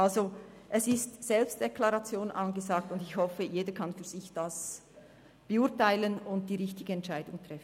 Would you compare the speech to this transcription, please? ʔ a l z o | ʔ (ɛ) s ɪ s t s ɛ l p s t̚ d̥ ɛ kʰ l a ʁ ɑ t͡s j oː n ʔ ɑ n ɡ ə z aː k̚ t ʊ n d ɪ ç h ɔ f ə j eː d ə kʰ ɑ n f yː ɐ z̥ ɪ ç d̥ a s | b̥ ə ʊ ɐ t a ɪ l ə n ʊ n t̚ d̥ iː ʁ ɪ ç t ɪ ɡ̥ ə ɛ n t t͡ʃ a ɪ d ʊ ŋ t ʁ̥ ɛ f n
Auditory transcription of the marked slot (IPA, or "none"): ɛ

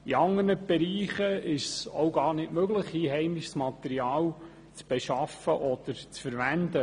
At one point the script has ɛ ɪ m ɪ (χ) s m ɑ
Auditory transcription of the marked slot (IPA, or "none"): ʃ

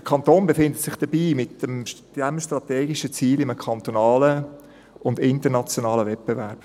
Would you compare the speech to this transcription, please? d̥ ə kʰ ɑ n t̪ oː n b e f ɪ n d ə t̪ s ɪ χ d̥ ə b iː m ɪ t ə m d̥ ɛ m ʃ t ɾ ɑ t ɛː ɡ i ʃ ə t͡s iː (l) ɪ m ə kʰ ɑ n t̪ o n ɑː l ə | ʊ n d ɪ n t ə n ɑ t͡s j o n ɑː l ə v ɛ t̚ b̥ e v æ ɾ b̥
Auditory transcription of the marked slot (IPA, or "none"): l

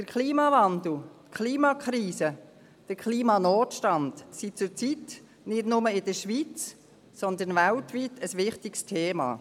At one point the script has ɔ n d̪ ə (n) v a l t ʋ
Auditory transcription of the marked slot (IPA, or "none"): n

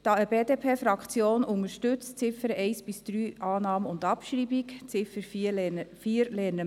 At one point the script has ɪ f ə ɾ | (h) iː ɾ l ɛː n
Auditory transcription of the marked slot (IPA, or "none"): f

